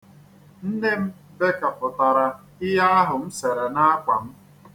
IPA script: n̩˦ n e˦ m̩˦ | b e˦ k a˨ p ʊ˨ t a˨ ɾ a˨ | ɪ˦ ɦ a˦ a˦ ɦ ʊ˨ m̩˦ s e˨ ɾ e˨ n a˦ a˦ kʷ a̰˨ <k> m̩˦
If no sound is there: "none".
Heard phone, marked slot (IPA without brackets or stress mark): none